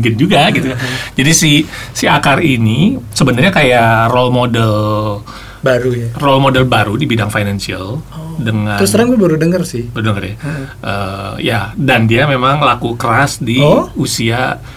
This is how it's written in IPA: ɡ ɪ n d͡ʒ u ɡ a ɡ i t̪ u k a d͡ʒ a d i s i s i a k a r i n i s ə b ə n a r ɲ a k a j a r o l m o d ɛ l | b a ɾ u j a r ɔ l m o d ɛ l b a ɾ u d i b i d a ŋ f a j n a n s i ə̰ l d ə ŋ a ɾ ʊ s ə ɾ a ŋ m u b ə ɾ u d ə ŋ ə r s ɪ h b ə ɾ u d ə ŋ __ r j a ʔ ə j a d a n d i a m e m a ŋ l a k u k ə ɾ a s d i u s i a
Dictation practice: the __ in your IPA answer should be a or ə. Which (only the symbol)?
ə